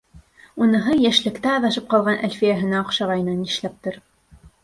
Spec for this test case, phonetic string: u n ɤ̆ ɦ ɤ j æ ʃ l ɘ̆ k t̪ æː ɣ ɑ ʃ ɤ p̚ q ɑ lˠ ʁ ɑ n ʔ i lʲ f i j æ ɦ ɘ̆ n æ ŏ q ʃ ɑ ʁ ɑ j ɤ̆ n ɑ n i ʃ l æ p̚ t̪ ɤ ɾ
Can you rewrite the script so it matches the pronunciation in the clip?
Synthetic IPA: u n ɤ̆ ɦ ɤ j æ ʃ l ɘ̆ k t̪ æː ð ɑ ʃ ɤ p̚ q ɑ lˠ ʁ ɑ n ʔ æ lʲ f i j æ ɦ ɘ̆ n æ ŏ q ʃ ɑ ʁ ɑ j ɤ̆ n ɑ n i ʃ l æ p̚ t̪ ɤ ɾ

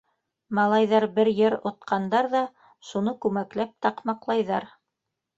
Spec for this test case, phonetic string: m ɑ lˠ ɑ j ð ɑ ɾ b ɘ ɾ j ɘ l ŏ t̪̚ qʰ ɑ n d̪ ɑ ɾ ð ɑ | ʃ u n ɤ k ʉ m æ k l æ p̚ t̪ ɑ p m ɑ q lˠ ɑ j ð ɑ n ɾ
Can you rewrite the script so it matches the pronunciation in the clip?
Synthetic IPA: m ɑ lˠ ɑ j ð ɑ ɾ b ɘ ɾ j ɘ ɾ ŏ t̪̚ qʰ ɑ n d̪ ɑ ɾ ð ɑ | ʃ u n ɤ k ʉ m æ k l æ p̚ t̪ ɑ q m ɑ q lˠ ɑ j ð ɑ ɾ

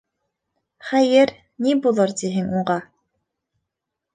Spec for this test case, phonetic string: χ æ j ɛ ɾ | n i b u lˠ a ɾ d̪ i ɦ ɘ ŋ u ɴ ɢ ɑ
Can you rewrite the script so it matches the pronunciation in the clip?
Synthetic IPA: χ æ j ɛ ɾ | n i b u lˠ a ɾ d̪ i ɦ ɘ ŋ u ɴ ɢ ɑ

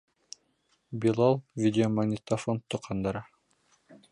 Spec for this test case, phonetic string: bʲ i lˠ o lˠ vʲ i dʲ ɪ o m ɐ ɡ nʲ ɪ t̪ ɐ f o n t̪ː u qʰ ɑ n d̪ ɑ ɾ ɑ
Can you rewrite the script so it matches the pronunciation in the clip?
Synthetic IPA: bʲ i lˠ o lˠ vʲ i dʲ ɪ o m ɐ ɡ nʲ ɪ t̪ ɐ f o n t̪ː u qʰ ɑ n d̪ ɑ ɾ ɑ

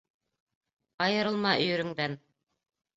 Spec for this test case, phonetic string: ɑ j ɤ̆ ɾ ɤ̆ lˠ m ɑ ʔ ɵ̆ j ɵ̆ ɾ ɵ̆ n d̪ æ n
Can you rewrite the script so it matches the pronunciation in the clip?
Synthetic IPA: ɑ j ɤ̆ ɾ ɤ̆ lˠ m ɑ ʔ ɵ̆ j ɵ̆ ɾ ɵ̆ ŋ d̪ æ n

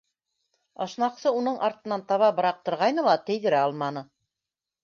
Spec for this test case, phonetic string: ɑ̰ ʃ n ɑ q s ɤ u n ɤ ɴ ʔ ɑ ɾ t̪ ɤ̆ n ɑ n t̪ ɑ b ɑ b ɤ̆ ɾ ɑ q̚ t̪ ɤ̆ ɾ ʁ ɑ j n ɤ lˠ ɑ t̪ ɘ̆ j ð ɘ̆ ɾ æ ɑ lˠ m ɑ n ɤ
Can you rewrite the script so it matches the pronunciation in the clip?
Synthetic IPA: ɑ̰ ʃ n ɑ q s ɤ u n ɤ ɴ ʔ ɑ ɾ t̪ ɤ̆ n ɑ n t̪ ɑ β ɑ b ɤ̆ ɾ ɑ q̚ t̪ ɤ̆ ɾ ʁ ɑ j n ɤ lˠ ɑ t̪ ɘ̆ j ð ɘ̆ ɾ æ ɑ lˠ m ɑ n ɤ

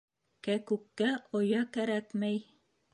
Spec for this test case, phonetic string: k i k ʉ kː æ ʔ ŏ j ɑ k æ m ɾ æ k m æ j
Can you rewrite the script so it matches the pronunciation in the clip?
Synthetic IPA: k æ k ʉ kː æ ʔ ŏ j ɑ k æ ɾ æ k m æ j

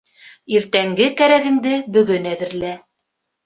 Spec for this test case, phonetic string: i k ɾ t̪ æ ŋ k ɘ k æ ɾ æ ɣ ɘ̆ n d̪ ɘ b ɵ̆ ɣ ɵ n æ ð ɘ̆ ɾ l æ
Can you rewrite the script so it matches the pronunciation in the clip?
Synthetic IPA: i ɾ t̪ æ ŋ ɡ ɘ k æ ɾ æ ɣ ɘ̆ ŋ d̪ ɘ b ɵ̆ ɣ ɵ n æ ð ɘ̆ ɾ l æ

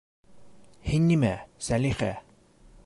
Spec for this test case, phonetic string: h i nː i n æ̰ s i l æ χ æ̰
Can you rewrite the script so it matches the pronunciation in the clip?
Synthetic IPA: h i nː i m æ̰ s æ l i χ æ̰

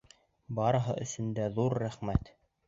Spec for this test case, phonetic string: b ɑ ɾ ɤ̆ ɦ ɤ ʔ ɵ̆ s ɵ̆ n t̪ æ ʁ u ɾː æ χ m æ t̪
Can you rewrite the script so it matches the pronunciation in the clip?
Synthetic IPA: b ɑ ɾ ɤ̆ ɦ ɤ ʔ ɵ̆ s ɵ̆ n d̪ æ ð u ɾː æ χ m æ t̪

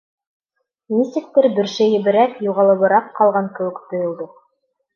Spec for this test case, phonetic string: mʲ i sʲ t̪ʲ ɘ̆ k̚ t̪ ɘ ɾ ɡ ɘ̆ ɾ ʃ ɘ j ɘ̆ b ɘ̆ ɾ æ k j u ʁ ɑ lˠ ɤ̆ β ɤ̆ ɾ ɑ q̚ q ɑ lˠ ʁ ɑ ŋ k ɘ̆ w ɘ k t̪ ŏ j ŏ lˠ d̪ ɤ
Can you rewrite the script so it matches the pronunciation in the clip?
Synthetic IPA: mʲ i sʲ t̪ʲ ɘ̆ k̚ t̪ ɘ ɾ b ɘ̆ ɾ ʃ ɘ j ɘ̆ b ɘ̆ ɾ æ k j u ʁ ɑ lˠ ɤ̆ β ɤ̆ ɾ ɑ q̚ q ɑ lˠ ʁ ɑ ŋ k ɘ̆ w ɘ k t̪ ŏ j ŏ lˠ d̪ ɤ

